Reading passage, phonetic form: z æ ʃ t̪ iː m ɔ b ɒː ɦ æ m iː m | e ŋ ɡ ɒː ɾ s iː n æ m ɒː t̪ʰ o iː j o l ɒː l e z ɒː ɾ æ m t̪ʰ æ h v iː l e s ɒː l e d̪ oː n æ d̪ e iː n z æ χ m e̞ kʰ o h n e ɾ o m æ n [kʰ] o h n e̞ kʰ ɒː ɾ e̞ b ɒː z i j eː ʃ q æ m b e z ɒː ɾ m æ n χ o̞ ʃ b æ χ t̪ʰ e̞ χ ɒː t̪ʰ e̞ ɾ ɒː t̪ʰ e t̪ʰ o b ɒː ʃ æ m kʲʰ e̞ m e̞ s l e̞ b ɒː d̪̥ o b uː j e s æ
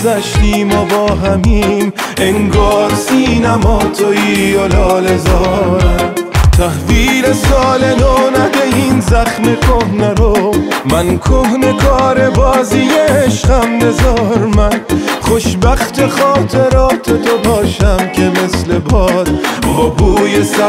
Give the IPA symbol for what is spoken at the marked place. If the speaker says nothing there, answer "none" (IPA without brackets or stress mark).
kʰ